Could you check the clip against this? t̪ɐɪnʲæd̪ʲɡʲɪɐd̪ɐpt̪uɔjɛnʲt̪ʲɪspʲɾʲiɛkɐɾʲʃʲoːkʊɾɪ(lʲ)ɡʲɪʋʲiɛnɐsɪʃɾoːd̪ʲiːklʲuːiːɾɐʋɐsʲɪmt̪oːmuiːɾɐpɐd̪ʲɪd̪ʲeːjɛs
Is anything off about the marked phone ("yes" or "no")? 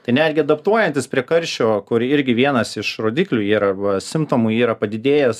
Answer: yes